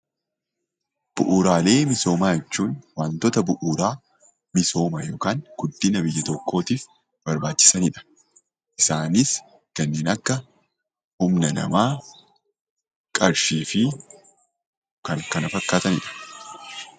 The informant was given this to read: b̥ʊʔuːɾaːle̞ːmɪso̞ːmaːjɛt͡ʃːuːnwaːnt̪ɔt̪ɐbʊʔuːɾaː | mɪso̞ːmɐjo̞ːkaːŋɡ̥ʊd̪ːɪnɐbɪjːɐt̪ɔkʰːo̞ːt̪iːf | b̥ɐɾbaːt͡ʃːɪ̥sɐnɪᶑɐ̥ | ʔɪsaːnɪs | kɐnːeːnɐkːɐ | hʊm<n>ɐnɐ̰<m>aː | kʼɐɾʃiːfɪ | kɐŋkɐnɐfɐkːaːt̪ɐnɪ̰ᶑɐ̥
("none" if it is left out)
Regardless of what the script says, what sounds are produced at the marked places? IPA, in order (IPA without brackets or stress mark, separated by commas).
n, m